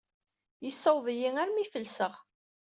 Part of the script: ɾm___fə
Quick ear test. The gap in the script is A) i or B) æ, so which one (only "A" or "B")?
A